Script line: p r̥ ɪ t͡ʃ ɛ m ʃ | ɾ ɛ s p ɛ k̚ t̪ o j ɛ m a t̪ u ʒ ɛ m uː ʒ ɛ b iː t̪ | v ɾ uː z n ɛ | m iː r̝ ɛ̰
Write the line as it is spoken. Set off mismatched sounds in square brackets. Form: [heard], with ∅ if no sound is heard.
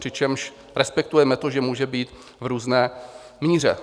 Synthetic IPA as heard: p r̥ ɪ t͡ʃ ɛ m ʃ | ɾ ɛ s p ɛ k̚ t̪ [u] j ɛ m [ɛ] t̪ [o] ʒ ɛ m uː ʒ ɛ b iː t̪ | v ɾ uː z n [ɛː] | m iː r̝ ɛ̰